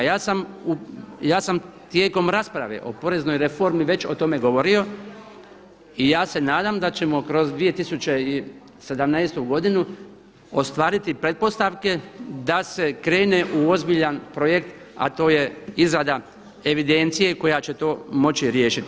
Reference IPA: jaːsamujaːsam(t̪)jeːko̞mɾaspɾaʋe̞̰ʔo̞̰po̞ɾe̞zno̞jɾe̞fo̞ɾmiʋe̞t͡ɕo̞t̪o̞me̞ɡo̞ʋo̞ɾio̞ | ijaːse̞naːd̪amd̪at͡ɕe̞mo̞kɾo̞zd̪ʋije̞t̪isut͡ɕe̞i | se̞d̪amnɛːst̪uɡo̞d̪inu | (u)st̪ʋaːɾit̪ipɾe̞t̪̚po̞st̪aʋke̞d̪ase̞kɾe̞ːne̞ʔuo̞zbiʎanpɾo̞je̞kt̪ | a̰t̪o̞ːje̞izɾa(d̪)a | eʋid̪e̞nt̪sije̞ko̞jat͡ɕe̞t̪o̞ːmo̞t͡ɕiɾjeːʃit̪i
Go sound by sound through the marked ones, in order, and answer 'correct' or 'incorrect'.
correct, incorrect, correct

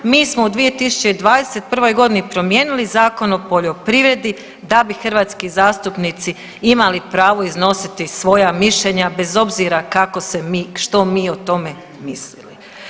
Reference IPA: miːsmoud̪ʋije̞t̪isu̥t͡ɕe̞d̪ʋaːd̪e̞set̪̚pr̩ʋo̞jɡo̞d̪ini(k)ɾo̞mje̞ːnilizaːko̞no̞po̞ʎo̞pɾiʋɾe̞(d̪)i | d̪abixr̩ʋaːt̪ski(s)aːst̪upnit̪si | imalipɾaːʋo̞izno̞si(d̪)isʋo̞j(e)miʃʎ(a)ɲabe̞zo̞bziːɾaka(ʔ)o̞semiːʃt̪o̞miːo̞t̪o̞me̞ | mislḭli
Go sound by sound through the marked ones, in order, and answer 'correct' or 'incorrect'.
incorrect, correct, incorrect, incorrect, incorrect, incorrect, incorrect

